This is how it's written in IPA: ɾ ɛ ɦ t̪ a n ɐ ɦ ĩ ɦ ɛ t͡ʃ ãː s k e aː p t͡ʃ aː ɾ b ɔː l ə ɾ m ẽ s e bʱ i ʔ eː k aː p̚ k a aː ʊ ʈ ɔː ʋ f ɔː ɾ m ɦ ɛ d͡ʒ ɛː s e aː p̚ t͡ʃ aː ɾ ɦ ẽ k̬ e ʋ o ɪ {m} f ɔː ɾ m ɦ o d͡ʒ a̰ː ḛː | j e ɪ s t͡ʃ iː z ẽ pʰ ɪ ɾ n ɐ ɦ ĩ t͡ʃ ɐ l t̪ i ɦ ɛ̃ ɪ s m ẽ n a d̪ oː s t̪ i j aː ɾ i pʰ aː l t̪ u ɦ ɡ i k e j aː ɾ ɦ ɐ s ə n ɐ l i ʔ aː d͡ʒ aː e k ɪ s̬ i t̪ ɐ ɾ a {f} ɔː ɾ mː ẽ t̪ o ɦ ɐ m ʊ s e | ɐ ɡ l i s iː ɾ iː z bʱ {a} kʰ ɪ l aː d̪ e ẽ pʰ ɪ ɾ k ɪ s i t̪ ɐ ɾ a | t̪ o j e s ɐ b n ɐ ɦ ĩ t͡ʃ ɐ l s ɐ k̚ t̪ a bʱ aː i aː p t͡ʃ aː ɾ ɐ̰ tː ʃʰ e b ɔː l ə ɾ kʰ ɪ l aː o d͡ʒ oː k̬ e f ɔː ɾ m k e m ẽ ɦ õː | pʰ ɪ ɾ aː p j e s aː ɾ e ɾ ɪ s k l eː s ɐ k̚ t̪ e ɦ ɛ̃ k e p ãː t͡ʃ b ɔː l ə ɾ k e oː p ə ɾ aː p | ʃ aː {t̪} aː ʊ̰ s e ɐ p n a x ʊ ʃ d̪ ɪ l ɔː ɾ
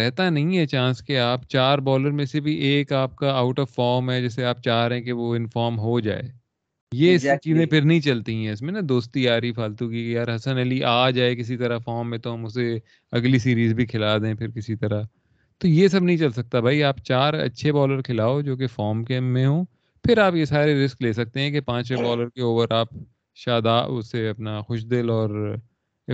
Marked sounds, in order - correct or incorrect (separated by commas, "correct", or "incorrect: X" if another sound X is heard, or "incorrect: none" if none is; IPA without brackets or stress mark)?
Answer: incorrect: n, correct, incorrect: i, incorrect: d̪